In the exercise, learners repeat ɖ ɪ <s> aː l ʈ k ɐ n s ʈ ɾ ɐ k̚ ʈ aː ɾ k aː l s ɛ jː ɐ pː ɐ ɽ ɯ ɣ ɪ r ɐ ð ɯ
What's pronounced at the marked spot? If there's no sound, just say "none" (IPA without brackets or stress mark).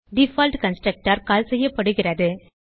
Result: f